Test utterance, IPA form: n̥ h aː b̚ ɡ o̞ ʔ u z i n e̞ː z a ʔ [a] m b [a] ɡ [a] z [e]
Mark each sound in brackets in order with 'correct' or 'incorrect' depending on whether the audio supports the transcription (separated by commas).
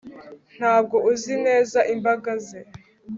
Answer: incorrect, correct, correct, correct